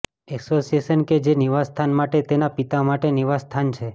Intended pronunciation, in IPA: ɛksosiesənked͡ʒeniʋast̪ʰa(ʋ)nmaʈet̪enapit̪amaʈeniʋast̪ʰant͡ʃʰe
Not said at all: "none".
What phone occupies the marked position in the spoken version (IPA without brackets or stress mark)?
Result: none